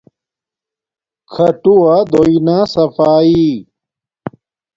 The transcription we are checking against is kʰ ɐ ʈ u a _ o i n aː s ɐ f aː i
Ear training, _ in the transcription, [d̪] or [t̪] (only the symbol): d̪